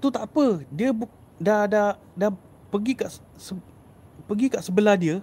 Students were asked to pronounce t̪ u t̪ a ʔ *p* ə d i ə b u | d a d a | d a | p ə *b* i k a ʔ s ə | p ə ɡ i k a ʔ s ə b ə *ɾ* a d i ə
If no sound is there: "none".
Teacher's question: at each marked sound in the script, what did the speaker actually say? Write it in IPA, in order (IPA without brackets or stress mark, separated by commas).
p, ɡ, l